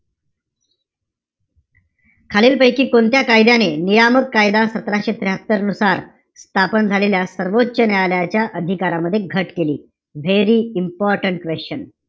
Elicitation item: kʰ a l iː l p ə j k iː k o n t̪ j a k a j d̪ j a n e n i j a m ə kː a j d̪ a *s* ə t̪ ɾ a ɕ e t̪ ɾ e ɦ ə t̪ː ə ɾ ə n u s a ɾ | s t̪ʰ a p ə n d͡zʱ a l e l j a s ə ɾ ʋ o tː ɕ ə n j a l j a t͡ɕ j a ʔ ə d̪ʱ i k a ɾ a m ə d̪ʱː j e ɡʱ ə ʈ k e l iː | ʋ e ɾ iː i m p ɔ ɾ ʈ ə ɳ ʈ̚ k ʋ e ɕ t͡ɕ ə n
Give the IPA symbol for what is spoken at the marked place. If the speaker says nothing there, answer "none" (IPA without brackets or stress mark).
s